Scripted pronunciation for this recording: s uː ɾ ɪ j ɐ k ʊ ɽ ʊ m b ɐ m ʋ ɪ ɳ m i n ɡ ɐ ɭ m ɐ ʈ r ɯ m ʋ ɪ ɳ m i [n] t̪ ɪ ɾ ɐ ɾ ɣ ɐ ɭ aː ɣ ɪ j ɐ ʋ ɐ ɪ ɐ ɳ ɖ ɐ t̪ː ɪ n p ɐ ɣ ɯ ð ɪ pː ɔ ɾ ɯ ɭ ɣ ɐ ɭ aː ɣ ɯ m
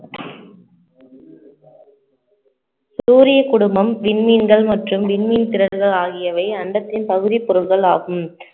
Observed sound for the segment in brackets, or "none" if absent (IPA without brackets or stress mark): n